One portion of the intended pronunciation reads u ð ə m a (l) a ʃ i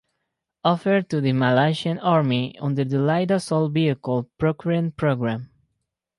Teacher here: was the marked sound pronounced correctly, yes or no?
yes